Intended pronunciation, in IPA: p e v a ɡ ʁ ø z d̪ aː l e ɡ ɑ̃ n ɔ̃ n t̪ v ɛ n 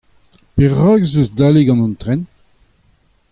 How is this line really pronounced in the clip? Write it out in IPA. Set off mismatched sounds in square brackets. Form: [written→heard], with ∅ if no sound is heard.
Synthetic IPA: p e [v→ʁ] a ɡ [ʁ→z] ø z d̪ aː l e ɡ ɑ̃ n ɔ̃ n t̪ [v→ʁ] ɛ n